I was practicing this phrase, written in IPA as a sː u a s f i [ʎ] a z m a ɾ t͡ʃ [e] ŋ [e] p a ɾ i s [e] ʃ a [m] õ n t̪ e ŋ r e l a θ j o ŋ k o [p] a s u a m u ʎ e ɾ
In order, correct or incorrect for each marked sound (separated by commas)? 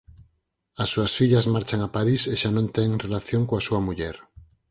correct, incorrect, incorrect, correct, incorrect, incorrect